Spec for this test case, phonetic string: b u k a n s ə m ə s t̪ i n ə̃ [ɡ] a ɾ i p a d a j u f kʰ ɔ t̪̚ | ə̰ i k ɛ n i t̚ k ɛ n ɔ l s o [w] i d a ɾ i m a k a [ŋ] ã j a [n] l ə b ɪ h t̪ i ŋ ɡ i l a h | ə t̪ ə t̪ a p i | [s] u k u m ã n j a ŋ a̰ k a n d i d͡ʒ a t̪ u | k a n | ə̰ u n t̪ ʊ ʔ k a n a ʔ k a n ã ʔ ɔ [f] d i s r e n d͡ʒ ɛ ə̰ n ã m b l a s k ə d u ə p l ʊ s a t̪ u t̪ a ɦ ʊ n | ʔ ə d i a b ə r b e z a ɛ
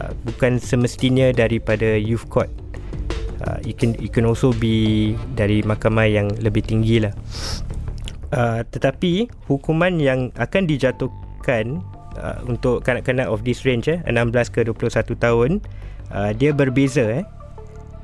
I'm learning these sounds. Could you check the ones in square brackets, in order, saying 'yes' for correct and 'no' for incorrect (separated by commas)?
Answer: no, no, no, no, no, yes